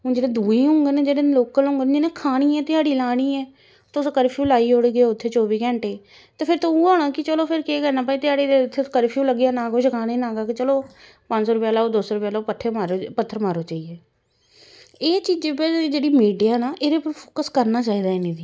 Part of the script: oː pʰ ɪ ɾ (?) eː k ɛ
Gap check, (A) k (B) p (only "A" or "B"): A